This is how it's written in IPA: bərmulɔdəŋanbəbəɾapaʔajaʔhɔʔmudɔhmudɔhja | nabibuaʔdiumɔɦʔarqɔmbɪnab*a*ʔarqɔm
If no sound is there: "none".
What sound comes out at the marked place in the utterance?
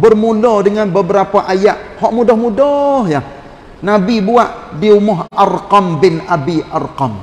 i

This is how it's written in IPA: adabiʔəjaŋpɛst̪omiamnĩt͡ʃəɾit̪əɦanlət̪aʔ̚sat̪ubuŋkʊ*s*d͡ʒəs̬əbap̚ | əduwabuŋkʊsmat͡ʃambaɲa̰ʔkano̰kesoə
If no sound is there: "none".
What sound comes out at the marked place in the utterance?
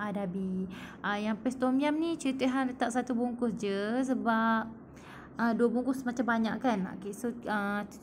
s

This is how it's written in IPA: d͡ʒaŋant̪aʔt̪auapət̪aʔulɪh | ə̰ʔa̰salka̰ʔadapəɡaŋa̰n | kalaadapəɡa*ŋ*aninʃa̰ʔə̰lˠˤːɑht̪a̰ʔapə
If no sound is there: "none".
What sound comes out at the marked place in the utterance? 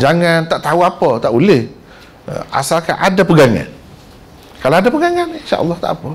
ŋ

